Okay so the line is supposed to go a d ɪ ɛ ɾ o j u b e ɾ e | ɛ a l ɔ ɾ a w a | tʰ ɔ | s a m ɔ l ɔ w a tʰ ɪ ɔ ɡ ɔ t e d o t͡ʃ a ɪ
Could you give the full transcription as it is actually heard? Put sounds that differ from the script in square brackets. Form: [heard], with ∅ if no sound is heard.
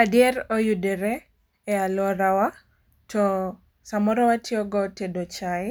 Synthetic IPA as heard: a d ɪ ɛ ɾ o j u [d] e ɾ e | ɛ a l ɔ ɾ a w a | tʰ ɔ | s a m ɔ [ɾ] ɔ w a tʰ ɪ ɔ ɡ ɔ t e d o t͡ʃ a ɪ